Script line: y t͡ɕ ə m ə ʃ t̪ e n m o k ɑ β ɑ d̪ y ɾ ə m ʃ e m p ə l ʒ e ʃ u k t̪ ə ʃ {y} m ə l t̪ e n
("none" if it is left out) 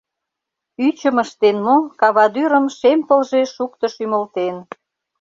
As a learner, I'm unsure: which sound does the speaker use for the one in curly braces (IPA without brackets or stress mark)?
y